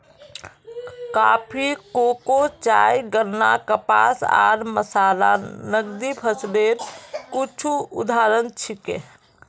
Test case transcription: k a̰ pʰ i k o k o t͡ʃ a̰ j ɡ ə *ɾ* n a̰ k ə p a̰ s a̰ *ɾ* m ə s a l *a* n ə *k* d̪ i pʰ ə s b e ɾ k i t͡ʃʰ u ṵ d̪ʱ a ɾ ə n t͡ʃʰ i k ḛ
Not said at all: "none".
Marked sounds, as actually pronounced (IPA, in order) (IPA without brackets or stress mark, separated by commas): ɾ, ɾ, a, ɡ